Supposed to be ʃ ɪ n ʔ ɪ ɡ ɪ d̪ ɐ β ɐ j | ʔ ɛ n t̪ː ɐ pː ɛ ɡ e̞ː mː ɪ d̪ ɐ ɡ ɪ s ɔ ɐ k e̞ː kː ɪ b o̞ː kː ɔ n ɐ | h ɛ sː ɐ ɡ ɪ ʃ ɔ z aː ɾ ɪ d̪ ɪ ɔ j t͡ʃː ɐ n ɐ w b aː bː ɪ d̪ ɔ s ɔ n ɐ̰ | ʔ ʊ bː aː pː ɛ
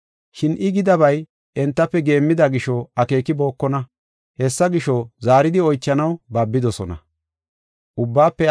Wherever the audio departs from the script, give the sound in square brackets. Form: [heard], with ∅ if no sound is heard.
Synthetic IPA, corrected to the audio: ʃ ɪ n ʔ ɪ ɡ ɪ d̪ ɐ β ɐ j | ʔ ɛ n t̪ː ɐ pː ɛ ɡ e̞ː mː ɪ d̪ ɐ ɡ ɪ [ʃ] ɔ ɐ k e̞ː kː ɪ b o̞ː kː ɔ n ɐ | h ɛ sː ɐ ɡ ɪ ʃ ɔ z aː ɾ ɪ d̪ ɪ ɔ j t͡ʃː ɐ n ɐ w b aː bː ɪ d̪ ɔ s ɔ n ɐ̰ | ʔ ʊ bː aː pː ɛ